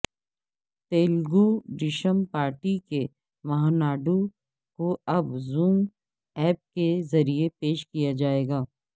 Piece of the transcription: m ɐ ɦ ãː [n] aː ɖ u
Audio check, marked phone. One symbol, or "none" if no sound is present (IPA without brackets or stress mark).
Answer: n